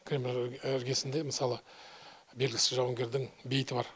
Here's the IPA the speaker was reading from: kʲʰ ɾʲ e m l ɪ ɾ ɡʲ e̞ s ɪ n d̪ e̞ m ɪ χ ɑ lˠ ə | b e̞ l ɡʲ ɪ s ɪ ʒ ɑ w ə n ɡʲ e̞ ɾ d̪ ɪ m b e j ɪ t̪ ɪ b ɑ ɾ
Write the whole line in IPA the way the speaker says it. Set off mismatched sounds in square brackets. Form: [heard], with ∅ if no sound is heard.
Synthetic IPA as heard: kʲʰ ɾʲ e m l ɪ ɾ ɡʲ e̞ s ɪ n d̪ e̞ m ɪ [s] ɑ lˠ ə | b e̞ l ɡʲ ɪ s ɪ ʒ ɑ w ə [ŋ] ɡʲ e̞ ɾ d̪ ɪ [ŋ] b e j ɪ t̪ ɪ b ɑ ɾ